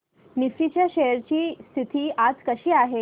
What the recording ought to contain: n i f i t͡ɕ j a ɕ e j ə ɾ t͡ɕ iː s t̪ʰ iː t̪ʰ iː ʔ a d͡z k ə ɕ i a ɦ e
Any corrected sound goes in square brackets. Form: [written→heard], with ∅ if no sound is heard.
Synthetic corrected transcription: n i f i t͡ɕ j a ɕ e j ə ɾ t͡ɕ iː s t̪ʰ [iː→i] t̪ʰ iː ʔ a d͡z k ə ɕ [i→iː] a ɦ e